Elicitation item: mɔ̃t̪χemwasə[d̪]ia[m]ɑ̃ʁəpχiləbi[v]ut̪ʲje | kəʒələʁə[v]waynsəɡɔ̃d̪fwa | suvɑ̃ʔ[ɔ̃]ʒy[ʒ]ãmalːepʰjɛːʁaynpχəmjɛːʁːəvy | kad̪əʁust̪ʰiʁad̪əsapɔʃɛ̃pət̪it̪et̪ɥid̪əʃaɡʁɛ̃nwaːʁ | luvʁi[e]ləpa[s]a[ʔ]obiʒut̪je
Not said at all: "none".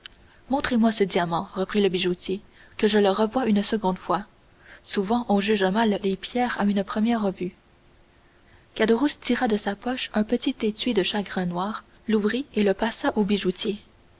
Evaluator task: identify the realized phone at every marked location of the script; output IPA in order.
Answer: d̪, m, ʒ, v, ɔ̃, ʒ, e, s, ʔ

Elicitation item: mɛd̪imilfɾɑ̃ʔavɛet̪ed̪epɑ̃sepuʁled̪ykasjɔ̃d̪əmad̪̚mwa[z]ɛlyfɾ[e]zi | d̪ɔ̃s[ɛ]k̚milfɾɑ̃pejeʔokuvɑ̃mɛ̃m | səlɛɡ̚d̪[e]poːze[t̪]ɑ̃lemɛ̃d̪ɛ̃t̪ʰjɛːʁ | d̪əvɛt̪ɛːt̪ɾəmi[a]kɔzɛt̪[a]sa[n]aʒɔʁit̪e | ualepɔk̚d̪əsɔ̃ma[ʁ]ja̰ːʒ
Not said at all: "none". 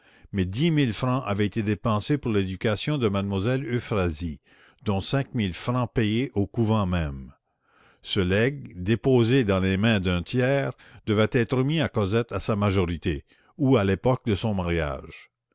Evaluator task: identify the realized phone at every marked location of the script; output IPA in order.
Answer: z, a, ɛ̃, e, d̪, a, a, m, ʁ

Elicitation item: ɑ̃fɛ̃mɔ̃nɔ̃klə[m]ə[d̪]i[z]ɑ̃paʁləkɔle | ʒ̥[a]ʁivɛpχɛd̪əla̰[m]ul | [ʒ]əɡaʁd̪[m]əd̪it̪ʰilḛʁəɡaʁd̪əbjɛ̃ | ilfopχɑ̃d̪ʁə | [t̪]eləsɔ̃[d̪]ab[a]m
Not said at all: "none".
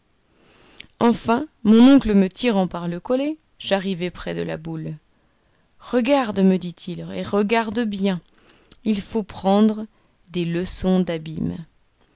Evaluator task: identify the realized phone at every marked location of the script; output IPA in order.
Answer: m, t̪, ʁ, a, b, ʁ, m, d̪, d̪, i

